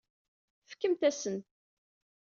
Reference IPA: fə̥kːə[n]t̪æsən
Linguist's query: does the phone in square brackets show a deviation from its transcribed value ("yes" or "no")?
yes